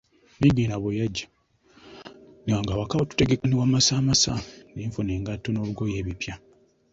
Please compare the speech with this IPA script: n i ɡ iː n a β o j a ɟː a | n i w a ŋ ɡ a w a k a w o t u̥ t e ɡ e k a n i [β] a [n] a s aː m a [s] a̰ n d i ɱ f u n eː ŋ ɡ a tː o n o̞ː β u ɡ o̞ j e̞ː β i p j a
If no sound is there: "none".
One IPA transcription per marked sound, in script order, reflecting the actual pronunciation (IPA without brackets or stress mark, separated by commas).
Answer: w, m, s